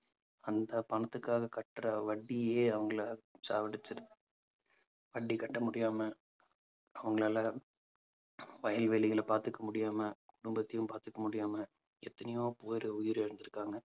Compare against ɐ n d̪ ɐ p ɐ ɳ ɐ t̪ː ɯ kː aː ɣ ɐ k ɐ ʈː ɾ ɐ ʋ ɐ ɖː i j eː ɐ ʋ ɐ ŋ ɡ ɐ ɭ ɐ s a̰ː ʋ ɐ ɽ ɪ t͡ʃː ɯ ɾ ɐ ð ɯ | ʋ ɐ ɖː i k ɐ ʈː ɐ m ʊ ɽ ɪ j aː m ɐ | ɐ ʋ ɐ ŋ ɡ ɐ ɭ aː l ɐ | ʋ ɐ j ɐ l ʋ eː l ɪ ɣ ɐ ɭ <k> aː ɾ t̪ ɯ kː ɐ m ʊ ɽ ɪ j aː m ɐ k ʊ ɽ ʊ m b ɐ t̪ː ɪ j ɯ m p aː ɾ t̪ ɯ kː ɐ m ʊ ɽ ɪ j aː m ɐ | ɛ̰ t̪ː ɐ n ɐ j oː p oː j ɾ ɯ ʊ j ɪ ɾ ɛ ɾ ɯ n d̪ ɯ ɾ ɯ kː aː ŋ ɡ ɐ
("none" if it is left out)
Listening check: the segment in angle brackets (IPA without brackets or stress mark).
p